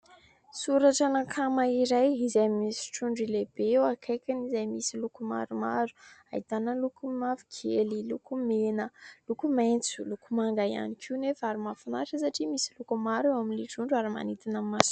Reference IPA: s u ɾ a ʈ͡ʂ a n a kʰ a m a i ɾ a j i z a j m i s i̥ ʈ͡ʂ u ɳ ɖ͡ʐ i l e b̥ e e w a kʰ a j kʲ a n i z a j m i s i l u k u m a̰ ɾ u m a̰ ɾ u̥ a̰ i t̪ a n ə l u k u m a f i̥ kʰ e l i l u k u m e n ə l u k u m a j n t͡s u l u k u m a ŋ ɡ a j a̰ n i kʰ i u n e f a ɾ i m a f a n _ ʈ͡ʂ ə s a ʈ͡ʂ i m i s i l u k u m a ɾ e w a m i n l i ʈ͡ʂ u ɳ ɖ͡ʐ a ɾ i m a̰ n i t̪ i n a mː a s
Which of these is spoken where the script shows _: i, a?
a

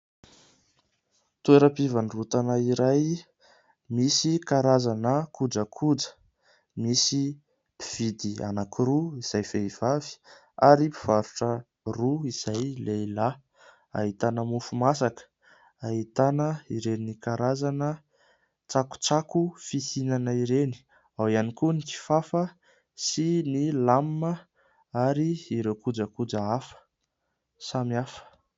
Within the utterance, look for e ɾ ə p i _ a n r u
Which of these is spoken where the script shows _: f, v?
v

